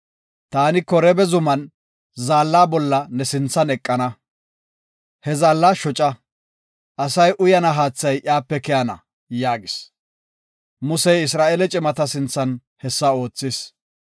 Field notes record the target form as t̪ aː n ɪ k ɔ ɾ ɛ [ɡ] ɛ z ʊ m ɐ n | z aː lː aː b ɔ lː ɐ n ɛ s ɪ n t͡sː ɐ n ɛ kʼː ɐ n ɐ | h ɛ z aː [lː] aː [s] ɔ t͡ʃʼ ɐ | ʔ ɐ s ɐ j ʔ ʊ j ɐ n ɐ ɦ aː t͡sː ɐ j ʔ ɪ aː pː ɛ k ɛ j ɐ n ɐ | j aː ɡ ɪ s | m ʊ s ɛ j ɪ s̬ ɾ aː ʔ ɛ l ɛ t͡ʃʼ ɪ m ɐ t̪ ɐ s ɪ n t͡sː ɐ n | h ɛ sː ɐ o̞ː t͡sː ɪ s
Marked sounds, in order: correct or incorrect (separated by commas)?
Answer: incorrect, correct, incorrect